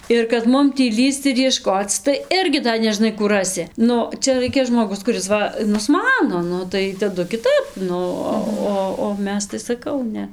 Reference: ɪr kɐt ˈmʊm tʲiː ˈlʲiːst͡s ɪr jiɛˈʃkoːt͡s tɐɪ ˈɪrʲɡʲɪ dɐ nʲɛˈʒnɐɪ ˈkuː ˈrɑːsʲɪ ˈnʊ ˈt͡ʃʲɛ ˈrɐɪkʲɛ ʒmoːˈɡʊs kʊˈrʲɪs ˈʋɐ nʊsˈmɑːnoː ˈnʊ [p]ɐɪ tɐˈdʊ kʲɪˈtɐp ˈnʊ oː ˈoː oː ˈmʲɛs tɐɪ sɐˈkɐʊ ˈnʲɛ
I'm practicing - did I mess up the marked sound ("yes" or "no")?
yes